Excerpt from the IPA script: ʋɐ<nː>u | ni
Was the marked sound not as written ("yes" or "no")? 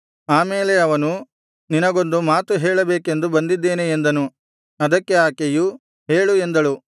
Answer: yes